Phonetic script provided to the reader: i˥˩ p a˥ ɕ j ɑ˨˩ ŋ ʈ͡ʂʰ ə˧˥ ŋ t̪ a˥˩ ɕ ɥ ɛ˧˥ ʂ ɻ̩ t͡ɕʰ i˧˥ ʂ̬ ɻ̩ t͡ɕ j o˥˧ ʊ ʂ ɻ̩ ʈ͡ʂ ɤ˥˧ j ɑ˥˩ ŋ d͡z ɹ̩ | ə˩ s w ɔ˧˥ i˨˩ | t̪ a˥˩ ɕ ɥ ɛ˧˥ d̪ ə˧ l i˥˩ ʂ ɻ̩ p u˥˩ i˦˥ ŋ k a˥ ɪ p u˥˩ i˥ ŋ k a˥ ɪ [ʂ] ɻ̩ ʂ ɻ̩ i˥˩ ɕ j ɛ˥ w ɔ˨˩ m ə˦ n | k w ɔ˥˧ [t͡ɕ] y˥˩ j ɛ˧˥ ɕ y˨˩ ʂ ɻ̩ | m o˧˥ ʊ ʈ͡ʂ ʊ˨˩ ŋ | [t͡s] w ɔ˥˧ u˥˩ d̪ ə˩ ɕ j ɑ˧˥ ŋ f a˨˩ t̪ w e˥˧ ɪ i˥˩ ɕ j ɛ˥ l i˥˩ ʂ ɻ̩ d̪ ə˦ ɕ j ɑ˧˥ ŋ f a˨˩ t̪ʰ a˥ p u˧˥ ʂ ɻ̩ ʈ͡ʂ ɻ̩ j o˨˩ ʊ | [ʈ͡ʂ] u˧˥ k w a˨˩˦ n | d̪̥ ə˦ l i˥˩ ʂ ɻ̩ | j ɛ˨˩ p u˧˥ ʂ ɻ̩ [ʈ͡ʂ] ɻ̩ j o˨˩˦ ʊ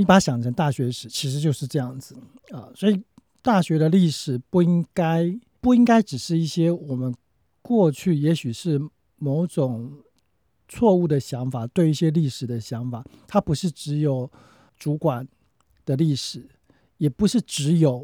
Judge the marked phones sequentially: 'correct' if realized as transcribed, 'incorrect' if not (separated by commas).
incorrect, incorrect, incorrect, correct, correct